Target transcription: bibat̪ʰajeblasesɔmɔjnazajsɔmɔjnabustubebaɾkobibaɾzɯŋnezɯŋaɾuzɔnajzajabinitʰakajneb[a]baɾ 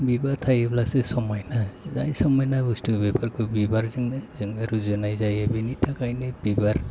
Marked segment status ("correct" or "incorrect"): incorrect